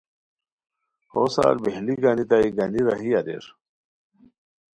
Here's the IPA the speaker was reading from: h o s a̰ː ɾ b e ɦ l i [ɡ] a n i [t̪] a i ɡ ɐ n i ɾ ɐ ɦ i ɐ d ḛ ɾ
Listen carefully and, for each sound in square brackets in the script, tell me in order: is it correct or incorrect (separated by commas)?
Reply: correct, correct